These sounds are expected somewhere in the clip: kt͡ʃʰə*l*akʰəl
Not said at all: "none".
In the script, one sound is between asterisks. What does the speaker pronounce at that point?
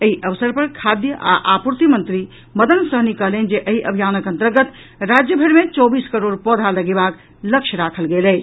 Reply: ɾ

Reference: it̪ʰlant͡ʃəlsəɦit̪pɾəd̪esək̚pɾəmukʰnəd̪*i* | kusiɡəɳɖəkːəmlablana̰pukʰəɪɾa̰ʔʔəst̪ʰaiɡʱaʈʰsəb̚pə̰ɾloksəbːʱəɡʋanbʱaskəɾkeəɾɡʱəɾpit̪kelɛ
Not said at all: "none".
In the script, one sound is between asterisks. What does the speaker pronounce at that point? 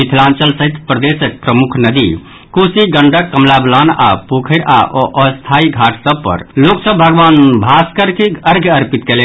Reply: i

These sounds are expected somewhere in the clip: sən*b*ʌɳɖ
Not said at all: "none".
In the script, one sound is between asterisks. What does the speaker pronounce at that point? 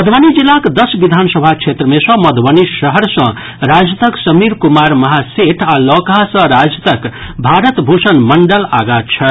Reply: m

